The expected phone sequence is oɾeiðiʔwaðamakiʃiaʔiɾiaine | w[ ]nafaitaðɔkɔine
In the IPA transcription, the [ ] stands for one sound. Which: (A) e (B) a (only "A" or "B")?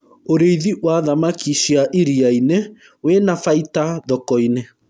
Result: A